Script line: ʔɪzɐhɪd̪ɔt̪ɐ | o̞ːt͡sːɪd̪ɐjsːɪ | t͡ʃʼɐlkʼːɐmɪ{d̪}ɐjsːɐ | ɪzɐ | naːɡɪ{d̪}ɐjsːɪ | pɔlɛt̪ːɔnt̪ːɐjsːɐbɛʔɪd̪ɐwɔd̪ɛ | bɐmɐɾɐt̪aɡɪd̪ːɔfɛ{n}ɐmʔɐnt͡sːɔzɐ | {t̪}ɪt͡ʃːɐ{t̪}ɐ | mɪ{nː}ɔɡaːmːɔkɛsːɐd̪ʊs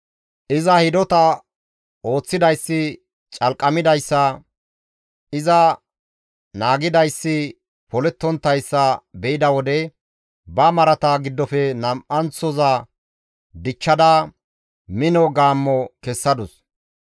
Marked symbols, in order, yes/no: yes, yes, yes, no, no, no

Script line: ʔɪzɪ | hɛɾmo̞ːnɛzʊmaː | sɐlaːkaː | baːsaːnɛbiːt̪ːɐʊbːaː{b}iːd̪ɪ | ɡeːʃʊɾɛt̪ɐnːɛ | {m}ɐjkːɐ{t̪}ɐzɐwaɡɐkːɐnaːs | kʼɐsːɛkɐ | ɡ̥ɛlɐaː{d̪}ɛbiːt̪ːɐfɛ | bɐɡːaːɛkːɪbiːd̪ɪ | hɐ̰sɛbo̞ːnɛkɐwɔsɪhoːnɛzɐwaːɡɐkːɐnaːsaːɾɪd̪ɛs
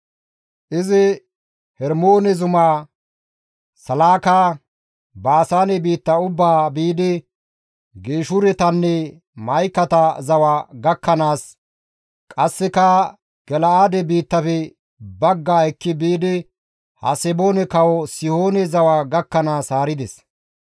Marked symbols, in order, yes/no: yes, yes, yes, yes

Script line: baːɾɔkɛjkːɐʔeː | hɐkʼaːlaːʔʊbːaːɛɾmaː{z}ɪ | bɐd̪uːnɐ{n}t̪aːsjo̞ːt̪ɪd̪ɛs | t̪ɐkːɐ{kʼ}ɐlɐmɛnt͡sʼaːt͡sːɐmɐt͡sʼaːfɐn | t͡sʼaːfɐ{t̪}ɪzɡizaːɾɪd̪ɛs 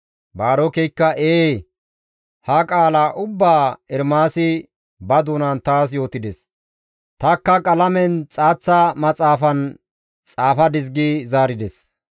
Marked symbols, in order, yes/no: no, yes, yes, no

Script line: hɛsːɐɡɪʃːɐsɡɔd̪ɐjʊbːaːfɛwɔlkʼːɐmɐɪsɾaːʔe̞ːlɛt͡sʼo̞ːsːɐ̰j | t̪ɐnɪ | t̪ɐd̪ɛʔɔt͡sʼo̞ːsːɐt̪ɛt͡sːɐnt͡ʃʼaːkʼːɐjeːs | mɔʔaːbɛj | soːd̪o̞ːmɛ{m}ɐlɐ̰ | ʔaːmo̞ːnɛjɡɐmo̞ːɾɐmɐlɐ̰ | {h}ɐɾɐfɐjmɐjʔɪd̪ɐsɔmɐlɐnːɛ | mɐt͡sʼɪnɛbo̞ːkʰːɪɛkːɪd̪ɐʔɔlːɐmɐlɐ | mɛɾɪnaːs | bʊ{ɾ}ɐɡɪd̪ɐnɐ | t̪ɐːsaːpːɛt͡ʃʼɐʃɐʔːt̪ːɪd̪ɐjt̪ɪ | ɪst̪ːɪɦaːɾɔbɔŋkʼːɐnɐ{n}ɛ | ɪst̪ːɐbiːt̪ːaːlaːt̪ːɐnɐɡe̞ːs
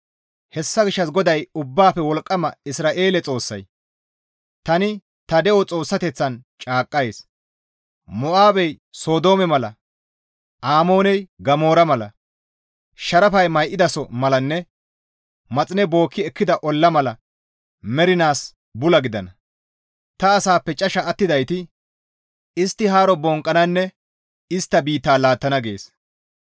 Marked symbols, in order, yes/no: yes, no, no, no

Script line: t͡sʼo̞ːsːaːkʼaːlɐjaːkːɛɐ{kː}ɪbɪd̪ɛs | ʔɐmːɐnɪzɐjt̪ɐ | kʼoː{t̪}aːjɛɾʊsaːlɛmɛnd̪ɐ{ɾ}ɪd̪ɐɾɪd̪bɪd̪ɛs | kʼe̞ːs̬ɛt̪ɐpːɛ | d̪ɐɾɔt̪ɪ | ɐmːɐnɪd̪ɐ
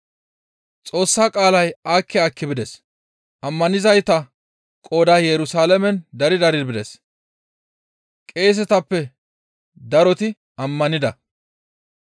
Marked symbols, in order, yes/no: yes, no, yes

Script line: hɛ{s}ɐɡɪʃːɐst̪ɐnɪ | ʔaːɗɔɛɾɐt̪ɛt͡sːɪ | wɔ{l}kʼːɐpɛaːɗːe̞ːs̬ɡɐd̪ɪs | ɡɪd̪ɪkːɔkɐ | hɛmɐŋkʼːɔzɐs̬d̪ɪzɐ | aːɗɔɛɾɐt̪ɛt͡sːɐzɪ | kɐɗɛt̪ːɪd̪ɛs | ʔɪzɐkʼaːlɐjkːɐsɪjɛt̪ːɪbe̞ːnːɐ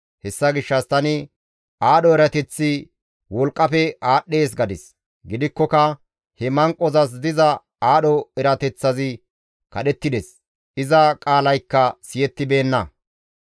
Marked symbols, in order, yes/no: no, yes

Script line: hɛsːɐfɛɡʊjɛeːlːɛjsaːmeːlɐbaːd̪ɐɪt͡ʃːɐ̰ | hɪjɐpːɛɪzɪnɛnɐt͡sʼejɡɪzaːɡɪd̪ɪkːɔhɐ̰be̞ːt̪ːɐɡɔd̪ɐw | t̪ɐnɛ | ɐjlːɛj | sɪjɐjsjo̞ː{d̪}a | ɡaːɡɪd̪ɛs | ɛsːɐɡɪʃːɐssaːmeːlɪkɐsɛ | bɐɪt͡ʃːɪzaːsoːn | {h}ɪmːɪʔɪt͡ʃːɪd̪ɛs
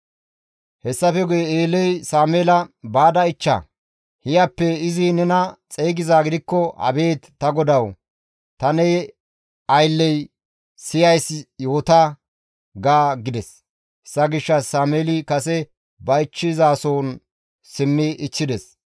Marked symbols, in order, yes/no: no, no

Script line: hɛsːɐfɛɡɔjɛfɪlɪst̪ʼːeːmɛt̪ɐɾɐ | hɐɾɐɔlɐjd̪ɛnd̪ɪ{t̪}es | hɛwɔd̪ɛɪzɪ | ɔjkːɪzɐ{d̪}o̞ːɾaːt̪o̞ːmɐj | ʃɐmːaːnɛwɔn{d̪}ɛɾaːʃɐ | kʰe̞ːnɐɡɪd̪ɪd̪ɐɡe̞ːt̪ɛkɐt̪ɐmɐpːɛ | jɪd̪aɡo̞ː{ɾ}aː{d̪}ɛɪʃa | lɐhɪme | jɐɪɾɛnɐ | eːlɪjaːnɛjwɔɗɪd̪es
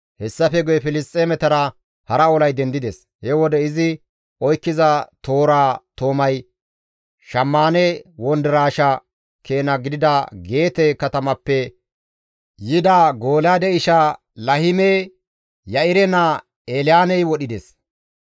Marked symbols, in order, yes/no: no, no, yes, no, yes

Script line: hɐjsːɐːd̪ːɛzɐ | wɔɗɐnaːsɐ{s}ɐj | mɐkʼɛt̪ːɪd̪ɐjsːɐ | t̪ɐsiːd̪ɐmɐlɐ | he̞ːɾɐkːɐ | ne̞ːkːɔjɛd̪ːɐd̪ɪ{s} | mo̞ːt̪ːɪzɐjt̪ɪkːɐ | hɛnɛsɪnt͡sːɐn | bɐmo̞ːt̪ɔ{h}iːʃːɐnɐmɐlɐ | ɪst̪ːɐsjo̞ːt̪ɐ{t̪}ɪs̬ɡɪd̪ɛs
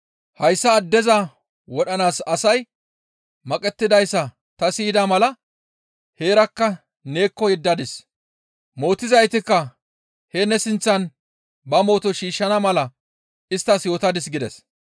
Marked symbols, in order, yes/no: yes, yes, no, no

